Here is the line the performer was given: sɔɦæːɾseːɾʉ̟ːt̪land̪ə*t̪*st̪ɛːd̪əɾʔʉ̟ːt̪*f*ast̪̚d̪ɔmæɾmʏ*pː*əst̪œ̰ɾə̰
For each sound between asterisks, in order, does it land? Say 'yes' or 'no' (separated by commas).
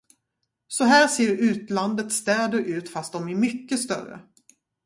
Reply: yes, yes, no